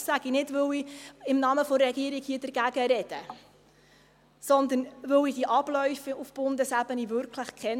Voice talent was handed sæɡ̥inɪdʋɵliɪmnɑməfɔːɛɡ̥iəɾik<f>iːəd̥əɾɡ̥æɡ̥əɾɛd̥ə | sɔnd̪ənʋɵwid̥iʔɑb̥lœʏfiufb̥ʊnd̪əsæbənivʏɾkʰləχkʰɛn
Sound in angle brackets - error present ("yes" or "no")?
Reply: yes